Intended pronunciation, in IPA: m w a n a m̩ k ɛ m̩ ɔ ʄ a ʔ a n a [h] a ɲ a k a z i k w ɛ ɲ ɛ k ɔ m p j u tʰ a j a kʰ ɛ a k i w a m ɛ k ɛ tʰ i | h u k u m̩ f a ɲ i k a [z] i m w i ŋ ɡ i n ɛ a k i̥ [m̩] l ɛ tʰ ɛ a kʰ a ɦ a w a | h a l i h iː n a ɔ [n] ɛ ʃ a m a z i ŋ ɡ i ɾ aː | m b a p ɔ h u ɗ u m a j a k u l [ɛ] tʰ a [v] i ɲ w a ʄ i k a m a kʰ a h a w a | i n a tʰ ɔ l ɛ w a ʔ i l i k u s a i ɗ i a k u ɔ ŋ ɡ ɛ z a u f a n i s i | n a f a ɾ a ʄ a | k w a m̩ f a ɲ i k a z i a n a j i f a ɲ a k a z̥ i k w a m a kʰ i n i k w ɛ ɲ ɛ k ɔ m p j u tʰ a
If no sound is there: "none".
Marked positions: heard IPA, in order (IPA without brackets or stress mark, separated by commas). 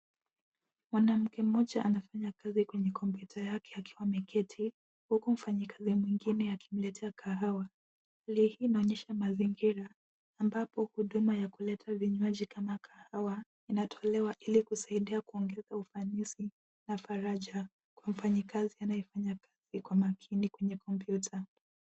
f, z, m̩, ɲ, ɛ, v